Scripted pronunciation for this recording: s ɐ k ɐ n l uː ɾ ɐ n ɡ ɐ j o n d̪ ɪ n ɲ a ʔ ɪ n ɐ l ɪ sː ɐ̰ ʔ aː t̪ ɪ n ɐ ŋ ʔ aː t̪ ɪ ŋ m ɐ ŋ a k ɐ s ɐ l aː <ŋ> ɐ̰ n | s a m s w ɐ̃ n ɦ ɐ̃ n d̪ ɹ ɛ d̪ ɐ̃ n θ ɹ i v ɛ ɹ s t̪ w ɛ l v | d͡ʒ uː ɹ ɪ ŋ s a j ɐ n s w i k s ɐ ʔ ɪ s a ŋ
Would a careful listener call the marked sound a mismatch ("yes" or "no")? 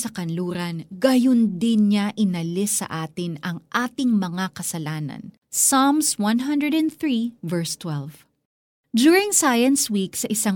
yes